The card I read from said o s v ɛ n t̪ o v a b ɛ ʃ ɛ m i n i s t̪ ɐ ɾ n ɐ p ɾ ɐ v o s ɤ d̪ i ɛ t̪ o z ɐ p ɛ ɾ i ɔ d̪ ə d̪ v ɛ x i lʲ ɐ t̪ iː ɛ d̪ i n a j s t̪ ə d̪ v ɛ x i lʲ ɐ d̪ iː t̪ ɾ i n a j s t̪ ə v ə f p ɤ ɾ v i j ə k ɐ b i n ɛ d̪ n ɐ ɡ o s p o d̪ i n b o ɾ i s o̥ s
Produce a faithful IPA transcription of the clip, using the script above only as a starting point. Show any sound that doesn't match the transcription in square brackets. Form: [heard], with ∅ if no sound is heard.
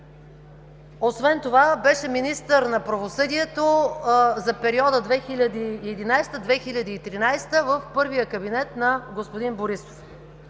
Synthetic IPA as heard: o s v ɛ n t̪ o v a b ɛ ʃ ɛ m i n i s t̪ [ə] ɾ n ɐ p ɾ ɐ v o s ɤ d̪ i ɛ t̪ o z ɐ p ɛ ɾ i ɔ d̪ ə d̪ v ɛ x i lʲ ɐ [d̪] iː ɛ d̪ i n a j s t̪ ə d̪ v ɛ x i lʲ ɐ d̪ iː t̪ ɾ i n a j s t̪ ə v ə f p ɤ ɾ v i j ə k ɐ b i n ɛ [t̪] n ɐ ɡ o s p o d̪ i n b o ɾ i s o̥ [f]

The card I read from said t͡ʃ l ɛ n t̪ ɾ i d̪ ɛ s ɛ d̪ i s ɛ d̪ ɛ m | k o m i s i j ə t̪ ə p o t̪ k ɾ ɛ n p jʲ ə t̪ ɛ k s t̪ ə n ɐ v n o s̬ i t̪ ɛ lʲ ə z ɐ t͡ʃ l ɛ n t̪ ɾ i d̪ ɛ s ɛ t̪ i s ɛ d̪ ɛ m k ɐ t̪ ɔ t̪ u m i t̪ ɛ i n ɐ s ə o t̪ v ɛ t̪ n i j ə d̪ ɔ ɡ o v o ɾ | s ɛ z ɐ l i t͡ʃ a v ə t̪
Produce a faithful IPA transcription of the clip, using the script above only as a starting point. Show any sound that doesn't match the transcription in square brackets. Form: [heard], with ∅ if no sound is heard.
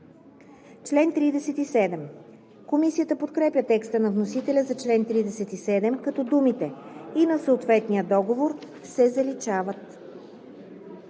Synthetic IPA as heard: t͡ʃ l ɛ n t̪ ɾ i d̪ ɛ s ɛ [t̪] i s ɛ d̪ ɛ m | k o m i s i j ə t̪ ə p o t̪ k ɾ ɛ [∅] p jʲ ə t̪ ɛ k s t̪ ə n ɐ v n o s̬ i t̪ ɛ lʲ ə z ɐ t͡ʃ l ɛ n t̪ ɾ i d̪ ɛ s ɛ t̪ i s ɛ d̪ ɛ m k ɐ t̪ ɔ [d̪] u m i t̪ ɛ i n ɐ s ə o t̪ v ɛ t̪ n i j ə d̪ ɔ ɡ o v o ɾ | s ɛ z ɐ l i t͡ʃ a v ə t̪

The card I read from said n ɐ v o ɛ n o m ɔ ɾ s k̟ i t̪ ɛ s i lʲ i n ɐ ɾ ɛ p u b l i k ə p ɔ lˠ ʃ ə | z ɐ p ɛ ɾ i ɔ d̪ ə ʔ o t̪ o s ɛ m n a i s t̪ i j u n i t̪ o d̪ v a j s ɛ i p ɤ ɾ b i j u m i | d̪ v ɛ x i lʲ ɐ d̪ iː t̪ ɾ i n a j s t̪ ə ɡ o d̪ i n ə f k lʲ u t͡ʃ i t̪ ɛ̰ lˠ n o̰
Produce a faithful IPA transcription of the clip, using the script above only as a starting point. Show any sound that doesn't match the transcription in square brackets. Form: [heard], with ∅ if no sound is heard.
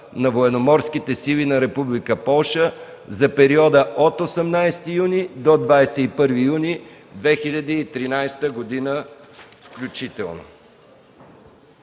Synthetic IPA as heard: n ɐ v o ɛ n o m ɔ ɾ s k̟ i t̪ ɛ s i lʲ i n ɐ ɾ ɛ p u b l i k ə p ɔ lˠ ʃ ə | z ɐ p ɛ ɾ i ɔ d̪ ə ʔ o t̪ o s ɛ m n a [j] s t̪ i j u n i [d̪] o d̪ v a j s ɛ i p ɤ ɾ [v] i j u [n] i | d̪ v ɛ x i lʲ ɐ d̪ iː t̪ ɾ i n a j s t̪ ə ɡ o d̪ i n ə f k lʲ u t͡ʃ i t̪ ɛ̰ lˠ n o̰

